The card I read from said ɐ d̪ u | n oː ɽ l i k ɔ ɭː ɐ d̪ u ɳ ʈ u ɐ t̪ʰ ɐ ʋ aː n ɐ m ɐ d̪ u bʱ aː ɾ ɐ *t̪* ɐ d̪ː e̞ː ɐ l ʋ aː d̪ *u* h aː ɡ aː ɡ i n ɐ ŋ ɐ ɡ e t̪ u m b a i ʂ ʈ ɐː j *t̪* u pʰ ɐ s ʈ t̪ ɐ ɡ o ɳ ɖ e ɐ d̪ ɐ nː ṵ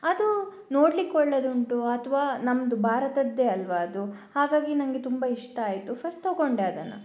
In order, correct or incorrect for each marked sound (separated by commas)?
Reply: correct, correct, correct